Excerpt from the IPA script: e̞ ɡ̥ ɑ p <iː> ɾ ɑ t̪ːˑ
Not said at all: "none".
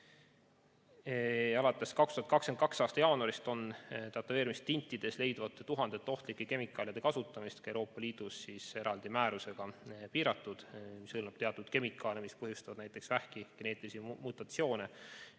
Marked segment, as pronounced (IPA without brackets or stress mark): iː